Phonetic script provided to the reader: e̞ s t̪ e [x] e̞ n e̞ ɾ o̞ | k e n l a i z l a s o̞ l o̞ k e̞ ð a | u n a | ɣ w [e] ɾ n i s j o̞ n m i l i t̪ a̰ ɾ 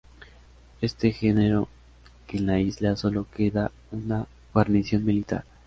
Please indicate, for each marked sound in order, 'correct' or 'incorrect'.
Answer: correct, incorrect

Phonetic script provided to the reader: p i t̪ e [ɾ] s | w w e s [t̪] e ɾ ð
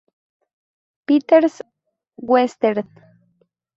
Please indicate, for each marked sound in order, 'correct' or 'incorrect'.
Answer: correct, correct

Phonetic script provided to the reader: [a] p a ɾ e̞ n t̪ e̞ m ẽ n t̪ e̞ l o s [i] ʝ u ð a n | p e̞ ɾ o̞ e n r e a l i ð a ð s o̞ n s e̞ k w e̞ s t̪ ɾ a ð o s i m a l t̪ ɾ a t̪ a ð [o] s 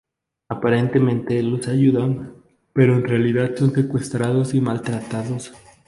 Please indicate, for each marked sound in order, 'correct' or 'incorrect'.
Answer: correct, incorrect, correct

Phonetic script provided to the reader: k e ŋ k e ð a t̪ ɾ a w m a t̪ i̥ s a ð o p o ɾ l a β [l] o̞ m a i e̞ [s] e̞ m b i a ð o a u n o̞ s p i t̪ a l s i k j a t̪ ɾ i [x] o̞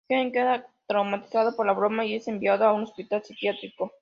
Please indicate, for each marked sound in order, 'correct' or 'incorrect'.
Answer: incorrect, correct, incorrect

